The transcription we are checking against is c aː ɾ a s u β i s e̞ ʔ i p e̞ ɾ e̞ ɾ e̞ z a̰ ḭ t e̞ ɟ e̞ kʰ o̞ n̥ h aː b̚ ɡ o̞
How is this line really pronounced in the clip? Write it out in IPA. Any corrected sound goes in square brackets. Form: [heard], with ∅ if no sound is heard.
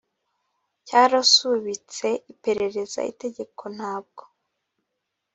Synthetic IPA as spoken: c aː ɾ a s u β i [t͡s] e̞ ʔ i p e̞ ɾ e̞ ɾ e̞ z a̰ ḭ t e̞ ɟ e̞ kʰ o̞ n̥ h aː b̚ ɡ o̞

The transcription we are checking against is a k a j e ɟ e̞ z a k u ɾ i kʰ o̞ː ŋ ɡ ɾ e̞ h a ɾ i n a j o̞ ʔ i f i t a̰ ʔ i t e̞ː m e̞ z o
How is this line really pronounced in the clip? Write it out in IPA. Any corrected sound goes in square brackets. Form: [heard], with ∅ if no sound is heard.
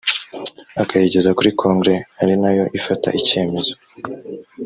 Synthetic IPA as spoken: a k a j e ɟ e̞ z a k u ɾ i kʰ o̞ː ŋ ɡ ɾ e̞ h a ɾ i n a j o̞ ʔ i f [a] t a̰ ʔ i [c] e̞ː m e̞ z o

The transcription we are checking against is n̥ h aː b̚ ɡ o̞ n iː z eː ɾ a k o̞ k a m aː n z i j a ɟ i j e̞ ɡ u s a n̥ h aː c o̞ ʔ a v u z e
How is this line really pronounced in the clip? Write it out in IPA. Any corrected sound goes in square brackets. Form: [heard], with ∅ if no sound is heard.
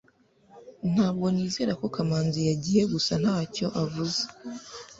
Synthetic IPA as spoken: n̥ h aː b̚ ɡ o̞ n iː z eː ɾ a k o̞ k a m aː n z i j a ɟ i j e̞ ɡ u s a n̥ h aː c o̞ ʔ a v u z e

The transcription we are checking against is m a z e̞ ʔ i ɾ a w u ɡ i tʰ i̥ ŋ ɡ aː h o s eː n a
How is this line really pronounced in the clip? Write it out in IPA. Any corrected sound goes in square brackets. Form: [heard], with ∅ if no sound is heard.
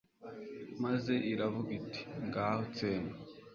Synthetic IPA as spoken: m a z e̞ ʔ i ɾ a [v] u ɡ i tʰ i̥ ŋ ɡ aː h o [t͡s] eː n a

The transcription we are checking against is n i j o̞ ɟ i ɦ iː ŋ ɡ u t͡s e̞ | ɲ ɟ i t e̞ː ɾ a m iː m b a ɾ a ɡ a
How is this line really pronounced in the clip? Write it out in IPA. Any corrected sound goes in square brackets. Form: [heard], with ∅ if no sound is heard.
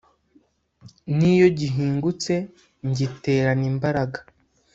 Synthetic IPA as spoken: n i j o̞ ɟ i ɦ iː ŋ ɡ u t͡s e̞ | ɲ ɟ i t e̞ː ɾ a [n] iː m b a ɾ a ɡ a

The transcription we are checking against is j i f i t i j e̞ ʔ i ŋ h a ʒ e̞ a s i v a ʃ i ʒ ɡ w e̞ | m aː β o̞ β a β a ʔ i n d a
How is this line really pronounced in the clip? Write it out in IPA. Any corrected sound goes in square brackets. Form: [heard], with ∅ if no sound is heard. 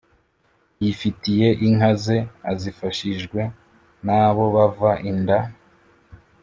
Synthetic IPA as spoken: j i f i t i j e̞ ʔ i ŋ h a [z] e̞ a [z] i [f] a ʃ i ʒ ɡ w e̞ | [n] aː β o̞ β a [v] a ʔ i n d a

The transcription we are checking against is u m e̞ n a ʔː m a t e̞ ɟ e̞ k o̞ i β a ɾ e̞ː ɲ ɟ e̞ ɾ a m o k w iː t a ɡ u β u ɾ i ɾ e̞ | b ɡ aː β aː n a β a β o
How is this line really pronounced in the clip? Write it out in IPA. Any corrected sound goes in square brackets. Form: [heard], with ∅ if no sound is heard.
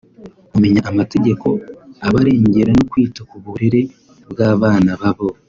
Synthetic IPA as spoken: u m e̞ [ɲ] a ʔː m a t e̞ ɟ e̞ k o̞ [a] β a ɾ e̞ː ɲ ɟ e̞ ɾ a [n] o k w iː t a [k] u β u ɾ i ɾ e̞ | b ɡ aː β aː n a β a β o

